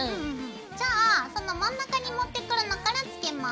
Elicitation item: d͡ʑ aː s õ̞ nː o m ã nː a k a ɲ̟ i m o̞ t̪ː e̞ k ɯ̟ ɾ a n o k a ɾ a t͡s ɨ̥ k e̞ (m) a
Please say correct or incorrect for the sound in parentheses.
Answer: correct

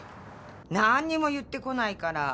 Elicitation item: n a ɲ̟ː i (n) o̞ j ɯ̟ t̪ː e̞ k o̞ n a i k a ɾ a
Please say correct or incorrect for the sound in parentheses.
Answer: incorrect: m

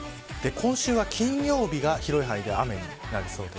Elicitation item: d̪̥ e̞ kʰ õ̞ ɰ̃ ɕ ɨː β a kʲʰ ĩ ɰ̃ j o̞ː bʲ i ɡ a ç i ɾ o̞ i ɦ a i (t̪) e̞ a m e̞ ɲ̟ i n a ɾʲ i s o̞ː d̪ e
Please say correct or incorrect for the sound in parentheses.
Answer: incorrect: d̪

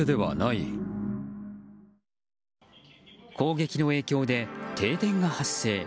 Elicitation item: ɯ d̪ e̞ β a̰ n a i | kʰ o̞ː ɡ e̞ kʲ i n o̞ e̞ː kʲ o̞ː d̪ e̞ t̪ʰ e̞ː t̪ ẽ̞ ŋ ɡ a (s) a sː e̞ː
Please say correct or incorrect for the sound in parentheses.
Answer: incorrect: h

